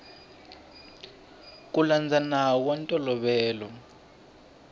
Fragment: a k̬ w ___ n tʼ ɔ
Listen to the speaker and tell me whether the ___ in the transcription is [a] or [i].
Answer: a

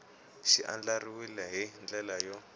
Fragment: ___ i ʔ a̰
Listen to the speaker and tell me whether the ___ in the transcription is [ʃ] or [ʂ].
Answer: ʃ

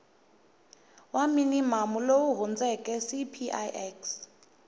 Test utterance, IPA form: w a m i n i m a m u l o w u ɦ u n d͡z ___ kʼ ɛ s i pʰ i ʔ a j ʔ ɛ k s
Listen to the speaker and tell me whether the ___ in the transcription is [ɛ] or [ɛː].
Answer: ɛ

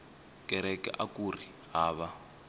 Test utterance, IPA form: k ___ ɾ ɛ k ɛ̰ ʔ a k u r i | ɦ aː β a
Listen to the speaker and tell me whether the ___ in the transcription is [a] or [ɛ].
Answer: ɛ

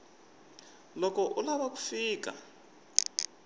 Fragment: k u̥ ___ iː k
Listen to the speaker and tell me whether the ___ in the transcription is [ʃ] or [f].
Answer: f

